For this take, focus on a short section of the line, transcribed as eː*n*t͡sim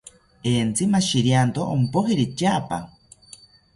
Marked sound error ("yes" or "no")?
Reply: no